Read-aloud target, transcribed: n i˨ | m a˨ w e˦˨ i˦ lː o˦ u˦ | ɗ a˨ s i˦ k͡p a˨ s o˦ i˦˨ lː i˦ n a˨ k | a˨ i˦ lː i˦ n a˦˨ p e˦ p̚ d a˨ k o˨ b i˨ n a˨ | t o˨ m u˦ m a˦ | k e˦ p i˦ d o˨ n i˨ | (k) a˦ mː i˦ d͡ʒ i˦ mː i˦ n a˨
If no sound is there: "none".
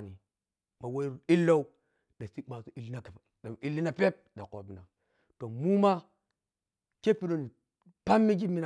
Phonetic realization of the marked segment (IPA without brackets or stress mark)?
p